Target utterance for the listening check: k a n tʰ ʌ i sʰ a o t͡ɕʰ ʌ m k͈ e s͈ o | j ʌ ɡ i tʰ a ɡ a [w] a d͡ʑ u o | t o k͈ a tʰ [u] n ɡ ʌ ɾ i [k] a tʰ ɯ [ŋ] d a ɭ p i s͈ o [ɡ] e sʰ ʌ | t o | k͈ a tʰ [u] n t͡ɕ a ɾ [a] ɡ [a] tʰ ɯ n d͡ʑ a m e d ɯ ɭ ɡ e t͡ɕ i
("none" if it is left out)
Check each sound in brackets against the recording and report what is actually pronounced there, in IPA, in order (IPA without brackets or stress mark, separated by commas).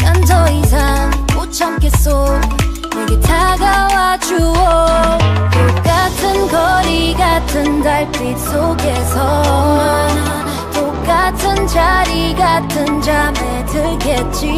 w, ɯ, ɡ, n, ɡ, ɯ, i, a